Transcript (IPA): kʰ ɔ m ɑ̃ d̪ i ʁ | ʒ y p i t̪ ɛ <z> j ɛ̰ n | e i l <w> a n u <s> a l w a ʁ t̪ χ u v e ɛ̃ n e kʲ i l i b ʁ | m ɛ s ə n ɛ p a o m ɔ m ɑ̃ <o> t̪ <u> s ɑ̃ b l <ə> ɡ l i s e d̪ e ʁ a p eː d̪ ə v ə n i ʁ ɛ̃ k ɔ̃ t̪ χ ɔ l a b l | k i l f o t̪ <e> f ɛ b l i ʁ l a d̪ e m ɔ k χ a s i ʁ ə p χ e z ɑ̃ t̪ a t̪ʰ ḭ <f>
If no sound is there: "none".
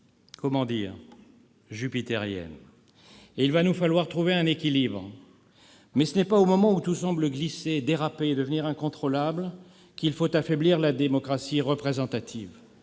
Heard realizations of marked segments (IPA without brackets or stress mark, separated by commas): ʁ, v, f, u, u, ə, a, v